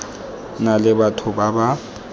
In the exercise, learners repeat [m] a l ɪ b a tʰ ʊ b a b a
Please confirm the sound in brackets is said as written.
no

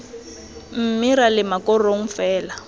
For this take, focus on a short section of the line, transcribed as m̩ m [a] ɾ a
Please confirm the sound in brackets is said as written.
no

